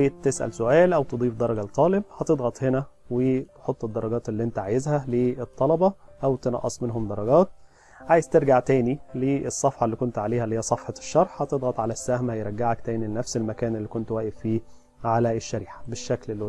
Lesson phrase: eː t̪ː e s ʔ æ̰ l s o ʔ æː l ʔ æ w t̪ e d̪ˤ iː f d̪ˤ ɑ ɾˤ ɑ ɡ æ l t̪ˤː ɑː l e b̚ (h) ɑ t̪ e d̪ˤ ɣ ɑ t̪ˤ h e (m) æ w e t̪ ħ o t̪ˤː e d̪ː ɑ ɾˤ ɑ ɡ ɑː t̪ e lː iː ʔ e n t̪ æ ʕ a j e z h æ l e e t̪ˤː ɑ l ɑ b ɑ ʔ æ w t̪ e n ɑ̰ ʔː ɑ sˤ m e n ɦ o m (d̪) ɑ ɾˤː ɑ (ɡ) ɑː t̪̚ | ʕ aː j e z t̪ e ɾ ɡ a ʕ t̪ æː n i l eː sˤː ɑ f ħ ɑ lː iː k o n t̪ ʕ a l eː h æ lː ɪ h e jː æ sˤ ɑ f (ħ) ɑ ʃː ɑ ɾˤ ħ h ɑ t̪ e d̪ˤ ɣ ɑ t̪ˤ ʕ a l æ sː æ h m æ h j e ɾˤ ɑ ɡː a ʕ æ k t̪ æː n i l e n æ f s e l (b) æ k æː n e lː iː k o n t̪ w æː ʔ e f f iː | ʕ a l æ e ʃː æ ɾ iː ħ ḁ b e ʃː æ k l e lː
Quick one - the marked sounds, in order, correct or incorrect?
correct, incorrect: n, correct, correct, correct, incorrect: m

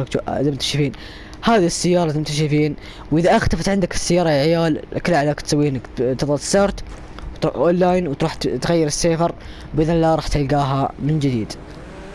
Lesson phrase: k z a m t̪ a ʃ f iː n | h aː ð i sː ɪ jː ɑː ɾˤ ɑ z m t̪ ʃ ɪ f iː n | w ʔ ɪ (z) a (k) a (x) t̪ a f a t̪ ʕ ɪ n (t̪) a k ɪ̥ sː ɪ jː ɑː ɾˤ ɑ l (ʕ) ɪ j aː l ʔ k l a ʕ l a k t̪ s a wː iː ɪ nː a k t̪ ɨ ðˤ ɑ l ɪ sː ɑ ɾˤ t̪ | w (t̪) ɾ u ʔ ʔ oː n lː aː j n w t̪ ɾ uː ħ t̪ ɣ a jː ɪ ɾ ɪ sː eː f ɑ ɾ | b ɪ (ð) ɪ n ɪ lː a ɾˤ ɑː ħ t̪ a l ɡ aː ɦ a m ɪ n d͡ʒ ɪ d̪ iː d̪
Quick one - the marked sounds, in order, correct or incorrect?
incorrect: ð, incorrect: ʔ, correct, incorrect: d̪, correct, correct, correct

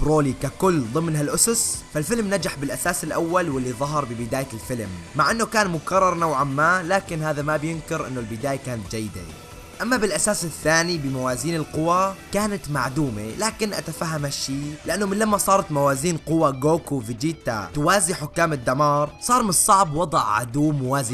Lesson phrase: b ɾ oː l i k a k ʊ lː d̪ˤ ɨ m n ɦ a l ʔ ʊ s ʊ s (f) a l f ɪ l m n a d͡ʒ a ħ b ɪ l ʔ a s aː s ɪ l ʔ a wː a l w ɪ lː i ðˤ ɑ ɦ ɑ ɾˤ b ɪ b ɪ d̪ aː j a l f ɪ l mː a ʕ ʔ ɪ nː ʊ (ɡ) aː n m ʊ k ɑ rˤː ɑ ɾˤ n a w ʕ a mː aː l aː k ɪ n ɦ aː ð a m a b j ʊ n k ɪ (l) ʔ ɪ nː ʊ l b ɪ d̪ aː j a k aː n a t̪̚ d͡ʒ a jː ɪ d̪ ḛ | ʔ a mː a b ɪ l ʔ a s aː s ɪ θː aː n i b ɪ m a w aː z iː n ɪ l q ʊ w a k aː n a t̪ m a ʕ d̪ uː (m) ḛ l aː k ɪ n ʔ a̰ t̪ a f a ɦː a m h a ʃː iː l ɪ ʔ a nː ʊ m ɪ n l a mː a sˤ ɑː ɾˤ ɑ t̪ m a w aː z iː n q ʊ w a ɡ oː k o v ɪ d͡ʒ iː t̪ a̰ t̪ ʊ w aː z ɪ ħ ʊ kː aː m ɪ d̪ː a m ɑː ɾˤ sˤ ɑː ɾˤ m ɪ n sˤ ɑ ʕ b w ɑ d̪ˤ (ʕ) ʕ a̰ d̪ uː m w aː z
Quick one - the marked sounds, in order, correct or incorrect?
correct, incorrect: k, incorrect: ɾ, correct, correct

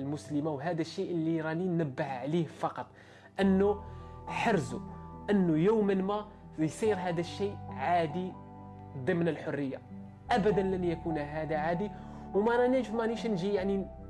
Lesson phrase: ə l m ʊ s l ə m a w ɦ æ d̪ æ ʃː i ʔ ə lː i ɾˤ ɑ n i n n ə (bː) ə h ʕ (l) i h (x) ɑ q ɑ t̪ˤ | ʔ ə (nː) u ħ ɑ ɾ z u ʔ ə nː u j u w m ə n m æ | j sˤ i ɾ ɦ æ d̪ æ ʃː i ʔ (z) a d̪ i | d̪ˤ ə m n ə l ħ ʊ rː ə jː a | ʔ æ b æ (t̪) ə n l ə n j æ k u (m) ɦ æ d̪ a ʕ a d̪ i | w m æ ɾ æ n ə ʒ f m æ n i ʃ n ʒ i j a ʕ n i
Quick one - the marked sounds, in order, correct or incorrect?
correct, correct, incorrect: f, correct, incorrect: ʕ, incorrect: d̪, incorrect: n

